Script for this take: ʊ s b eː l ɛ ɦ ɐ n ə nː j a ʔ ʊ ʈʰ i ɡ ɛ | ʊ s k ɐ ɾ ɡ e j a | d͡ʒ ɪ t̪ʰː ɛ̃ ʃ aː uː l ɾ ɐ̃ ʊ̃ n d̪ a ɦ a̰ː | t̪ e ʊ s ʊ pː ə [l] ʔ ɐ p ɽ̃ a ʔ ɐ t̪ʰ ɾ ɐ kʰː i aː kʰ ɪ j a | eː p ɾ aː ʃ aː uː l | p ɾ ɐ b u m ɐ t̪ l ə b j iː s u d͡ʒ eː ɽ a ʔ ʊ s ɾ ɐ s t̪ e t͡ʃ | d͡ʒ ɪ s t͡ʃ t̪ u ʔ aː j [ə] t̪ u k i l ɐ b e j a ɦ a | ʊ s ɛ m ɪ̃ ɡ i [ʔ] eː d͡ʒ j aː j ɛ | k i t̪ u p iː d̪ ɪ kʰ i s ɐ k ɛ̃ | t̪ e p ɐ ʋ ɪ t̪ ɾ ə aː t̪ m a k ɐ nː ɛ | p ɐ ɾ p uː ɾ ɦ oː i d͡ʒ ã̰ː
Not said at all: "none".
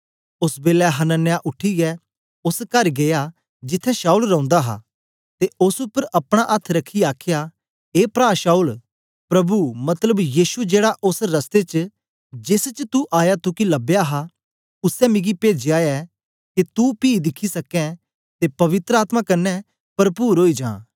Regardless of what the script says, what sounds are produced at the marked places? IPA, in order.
ɾ, a, p

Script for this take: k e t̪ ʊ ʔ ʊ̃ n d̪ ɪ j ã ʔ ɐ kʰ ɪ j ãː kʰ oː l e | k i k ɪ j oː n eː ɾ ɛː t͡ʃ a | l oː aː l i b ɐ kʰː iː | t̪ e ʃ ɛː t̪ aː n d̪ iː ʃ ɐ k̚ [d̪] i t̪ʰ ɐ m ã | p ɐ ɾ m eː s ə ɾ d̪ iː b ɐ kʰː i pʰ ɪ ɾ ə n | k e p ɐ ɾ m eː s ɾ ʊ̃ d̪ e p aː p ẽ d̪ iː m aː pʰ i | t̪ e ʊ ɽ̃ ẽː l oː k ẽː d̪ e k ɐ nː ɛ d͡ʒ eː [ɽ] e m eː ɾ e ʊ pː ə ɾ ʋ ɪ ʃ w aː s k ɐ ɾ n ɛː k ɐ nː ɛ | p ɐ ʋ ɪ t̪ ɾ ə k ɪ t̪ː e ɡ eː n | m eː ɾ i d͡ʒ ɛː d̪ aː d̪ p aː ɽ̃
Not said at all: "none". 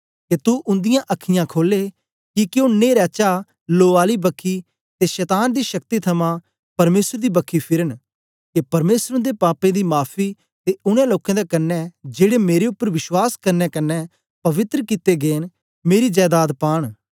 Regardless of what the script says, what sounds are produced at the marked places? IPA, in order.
t̪, ɽ

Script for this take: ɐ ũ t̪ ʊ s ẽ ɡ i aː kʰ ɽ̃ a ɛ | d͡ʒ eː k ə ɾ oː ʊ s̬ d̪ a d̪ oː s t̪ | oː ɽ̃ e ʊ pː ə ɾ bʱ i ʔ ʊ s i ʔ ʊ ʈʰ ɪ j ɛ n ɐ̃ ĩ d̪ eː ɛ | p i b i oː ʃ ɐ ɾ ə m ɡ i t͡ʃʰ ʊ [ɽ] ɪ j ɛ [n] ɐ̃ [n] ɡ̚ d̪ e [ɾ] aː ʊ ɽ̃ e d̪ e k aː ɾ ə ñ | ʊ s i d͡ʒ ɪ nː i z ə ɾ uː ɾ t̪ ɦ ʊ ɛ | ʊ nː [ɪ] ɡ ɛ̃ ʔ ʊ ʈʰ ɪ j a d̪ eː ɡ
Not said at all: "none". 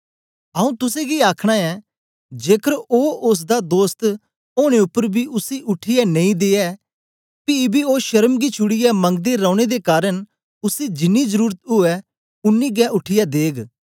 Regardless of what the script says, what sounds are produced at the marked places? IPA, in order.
ɽ, m, ŋ, ɾ, i

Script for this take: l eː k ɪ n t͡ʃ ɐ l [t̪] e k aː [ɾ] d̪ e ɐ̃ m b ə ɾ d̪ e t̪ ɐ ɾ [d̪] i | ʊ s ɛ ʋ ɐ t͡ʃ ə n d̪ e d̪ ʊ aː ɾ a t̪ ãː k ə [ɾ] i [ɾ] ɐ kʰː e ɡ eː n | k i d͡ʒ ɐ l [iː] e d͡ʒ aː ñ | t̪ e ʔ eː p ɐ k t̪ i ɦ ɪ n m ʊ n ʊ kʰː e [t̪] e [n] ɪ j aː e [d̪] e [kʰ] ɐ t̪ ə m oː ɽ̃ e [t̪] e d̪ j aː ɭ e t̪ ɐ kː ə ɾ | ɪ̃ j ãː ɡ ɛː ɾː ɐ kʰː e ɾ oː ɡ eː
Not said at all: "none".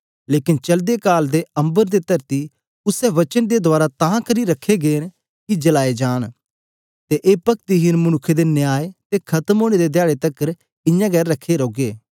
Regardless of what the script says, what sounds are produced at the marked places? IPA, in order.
d̪, l, t̪, ɾ, ɾ, aː, d̪, n, t̪, kʰ, d̪

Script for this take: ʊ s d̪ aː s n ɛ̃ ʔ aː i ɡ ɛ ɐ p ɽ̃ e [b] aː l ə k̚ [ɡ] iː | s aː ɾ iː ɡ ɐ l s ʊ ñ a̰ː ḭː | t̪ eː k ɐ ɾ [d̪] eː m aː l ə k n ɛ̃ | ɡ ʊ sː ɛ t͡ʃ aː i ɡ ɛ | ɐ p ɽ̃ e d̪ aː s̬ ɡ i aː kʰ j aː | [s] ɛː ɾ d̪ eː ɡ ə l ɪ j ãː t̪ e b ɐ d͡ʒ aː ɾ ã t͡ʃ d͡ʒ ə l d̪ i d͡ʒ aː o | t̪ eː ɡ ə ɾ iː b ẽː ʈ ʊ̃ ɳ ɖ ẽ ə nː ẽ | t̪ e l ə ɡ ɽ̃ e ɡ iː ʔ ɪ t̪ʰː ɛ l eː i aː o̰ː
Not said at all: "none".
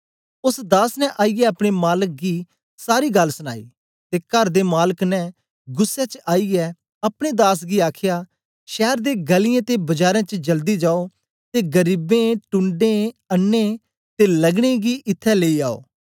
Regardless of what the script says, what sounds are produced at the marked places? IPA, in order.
m, ɡ, d̪, ʃ

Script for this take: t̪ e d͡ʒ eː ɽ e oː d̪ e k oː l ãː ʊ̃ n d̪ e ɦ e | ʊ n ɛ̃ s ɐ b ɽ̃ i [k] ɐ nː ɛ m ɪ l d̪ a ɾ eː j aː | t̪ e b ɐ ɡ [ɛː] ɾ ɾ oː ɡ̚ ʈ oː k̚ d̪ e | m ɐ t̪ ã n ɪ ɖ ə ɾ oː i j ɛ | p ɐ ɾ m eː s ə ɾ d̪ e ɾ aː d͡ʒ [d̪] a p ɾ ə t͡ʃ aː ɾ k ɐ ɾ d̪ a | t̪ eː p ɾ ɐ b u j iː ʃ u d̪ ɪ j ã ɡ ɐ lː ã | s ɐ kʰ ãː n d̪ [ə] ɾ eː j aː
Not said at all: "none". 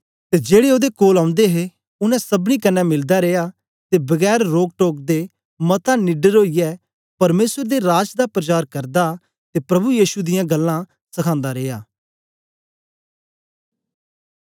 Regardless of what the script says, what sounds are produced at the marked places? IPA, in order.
k, ɛː, d̪, a

